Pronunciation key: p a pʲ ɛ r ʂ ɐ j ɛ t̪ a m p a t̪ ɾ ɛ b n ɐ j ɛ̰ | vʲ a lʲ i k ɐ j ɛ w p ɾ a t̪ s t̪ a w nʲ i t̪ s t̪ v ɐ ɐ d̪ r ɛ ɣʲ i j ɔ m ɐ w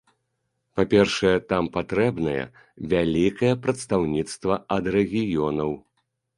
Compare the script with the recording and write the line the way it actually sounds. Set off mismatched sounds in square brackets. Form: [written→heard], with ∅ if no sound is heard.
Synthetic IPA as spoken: p a pʲ ɛ r ʂ ɐ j ɛ t̪ a m p a t̪ ɾ ɛ b n ɐ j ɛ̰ | vʲ a lʲ i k ɐ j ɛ [w→∅] p ɾ [a→ɐ] t̪ s t̪ a w nʲ i t̪ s t̪ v ɐ ɐ d̪ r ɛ ɣʲ i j ɔ [m→n] ɐ w